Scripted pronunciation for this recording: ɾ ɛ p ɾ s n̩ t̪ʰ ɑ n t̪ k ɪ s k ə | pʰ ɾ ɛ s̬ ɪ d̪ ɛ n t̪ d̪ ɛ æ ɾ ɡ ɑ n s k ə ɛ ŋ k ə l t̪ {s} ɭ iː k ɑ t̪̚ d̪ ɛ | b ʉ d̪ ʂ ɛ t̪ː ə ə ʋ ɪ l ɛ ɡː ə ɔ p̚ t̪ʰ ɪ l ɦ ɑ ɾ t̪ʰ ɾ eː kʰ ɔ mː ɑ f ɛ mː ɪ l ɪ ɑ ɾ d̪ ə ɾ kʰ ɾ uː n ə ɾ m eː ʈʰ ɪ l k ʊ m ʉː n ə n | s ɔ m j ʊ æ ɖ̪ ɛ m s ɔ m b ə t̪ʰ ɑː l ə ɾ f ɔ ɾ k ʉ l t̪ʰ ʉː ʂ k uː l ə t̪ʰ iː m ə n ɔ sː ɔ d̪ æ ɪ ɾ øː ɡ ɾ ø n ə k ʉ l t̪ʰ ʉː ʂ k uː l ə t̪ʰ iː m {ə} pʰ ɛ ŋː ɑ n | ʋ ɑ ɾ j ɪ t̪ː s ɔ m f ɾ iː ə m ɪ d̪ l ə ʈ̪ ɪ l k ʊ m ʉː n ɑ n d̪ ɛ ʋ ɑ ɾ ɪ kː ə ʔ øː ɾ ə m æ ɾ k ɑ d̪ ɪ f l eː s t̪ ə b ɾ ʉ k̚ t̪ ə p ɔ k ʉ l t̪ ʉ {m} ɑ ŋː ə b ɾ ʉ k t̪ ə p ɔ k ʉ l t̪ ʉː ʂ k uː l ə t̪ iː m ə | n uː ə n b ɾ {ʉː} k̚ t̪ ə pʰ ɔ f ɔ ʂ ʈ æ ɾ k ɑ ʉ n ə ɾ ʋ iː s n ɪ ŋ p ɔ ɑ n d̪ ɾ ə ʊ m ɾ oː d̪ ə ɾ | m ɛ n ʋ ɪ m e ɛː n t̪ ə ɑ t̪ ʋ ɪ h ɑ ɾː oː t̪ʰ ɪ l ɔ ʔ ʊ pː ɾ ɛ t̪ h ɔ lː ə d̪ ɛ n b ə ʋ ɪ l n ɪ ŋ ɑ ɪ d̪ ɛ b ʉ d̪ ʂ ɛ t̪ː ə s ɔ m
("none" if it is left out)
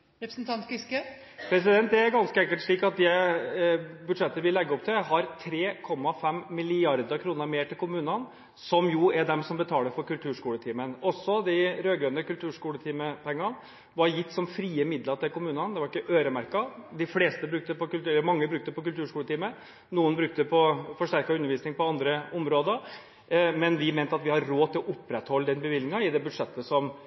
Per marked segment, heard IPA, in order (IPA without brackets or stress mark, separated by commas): ʂ, ə, m, ʉ